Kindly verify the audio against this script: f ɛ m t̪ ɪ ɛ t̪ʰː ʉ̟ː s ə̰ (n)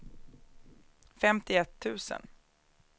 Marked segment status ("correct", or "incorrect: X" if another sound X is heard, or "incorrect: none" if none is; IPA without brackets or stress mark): correct